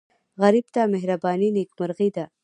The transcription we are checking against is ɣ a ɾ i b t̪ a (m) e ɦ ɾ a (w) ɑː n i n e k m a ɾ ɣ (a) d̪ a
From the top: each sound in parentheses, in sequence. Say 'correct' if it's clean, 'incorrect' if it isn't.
correct, incorrect, incorrect

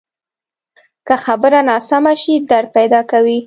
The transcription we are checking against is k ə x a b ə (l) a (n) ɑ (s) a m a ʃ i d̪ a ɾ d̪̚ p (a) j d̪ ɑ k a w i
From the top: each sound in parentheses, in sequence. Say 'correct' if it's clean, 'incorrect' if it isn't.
incorrect, correct, correct, correct

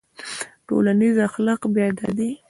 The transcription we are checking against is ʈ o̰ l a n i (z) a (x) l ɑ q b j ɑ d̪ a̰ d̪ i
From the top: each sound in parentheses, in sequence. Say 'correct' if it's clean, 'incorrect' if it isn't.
correct, correct

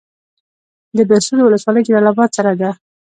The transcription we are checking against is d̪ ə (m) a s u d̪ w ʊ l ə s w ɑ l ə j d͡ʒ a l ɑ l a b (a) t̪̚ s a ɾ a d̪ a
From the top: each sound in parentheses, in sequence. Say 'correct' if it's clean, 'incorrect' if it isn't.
incorrect, incorrect

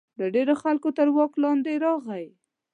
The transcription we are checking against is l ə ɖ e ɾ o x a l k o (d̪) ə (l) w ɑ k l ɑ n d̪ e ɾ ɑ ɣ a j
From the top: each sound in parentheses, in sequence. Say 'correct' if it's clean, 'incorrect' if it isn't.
incorrect, incorrect

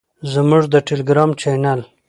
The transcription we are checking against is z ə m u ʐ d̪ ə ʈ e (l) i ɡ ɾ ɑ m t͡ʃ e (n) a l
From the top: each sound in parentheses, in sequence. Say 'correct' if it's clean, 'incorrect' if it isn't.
correct, correct

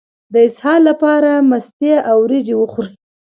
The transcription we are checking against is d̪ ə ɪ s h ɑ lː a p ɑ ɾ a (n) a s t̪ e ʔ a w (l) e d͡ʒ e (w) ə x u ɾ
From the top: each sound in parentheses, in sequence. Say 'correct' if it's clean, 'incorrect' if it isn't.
incorrect, incorrect, correct

